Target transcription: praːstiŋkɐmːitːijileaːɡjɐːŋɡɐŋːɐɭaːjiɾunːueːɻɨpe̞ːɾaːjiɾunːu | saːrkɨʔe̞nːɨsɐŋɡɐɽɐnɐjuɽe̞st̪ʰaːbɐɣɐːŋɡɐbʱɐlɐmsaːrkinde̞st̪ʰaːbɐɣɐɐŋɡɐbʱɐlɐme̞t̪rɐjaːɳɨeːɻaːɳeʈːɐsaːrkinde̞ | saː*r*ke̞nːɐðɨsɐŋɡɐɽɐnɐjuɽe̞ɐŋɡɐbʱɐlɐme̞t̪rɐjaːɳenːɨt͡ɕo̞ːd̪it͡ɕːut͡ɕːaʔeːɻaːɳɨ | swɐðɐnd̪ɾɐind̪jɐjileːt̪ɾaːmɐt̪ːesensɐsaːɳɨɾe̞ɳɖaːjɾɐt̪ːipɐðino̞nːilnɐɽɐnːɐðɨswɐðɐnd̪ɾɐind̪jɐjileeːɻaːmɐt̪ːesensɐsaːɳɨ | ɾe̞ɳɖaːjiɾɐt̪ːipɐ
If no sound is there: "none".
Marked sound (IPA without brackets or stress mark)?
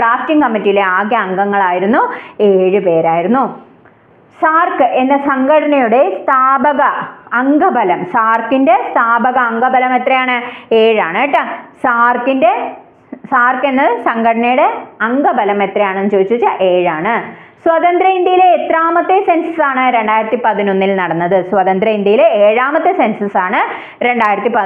r